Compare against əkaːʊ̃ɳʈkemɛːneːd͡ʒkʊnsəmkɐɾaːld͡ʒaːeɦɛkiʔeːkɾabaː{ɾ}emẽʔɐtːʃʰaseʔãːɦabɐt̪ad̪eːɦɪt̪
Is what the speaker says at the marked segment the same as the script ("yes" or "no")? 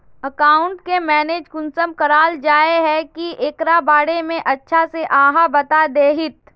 no